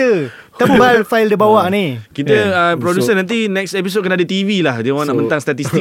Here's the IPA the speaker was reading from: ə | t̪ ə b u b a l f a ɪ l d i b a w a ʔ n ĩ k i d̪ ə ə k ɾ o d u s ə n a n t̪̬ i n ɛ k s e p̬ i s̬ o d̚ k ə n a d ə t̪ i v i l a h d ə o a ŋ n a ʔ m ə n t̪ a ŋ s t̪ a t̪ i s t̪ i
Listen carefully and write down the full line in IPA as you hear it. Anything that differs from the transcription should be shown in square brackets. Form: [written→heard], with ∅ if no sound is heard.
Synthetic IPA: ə | t̪ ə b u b a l f a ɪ l d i b a w a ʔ n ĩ k i [d̪→t̪] ə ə [k→p] ɾ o d u s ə n a n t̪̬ i n ɛ k s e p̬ i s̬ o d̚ k ə n a d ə t̪ i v i l a h d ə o a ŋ n a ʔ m ə n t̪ a ŋ s t̪ a t̪ i s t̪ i